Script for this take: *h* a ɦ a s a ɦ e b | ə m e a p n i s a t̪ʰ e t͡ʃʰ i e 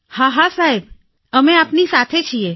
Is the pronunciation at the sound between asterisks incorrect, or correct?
correct